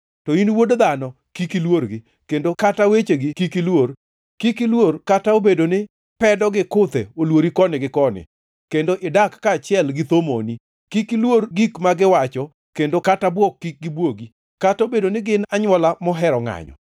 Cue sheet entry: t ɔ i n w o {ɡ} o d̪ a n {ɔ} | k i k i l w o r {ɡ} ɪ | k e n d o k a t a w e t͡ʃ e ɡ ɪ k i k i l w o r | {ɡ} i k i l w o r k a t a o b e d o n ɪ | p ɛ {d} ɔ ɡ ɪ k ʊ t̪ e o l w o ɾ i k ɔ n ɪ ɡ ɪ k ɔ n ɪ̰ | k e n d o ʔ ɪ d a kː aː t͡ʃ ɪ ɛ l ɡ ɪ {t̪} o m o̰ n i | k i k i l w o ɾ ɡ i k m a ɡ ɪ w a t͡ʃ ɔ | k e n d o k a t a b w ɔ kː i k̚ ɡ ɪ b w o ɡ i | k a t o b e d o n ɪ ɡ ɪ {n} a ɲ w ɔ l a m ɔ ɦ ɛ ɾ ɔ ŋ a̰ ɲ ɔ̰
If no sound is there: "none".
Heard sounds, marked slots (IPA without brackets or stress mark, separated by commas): d, ɔ, ɡ, k, d, t̪, n